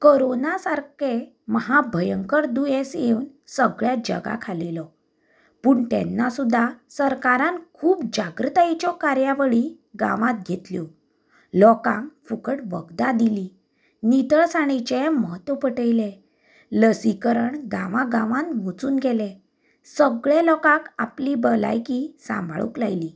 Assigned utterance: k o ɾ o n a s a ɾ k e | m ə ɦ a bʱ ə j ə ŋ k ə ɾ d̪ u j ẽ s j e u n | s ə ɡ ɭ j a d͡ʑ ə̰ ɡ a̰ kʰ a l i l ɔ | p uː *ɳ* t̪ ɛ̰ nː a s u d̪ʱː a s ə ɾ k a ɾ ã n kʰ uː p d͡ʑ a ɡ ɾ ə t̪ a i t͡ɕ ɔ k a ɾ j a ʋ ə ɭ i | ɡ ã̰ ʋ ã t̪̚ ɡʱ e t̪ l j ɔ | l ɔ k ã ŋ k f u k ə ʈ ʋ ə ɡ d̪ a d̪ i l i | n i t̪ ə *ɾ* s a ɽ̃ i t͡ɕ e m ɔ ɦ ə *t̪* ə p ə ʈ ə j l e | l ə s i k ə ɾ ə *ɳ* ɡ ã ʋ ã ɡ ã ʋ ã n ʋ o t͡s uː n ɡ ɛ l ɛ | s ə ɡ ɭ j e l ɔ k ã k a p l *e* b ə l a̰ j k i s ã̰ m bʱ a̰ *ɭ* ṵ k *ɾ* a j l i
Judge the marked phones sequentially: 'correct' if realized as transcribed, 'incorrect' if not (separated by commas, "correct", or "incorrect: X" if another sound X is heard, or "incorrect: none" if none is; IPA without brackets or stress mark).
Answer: correct, incorrect: ɭ, correct, correct, incorrect: i, correct, incorrect: l